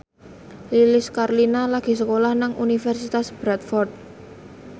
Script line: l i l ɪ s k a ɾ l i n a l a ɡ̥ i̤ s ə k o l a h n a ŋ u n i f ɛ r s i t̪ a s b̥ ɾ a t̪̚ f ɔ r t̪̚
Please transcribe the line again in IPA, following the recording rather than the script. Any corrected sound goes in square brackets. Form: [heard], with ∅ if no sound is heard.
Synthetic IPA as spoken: l i l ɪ s k a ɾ l i n a l a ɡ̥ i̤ s ə k o l a h n a ŋ u n i f ɛ r s i t̪ a s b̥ ɾ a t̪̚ f ɔ r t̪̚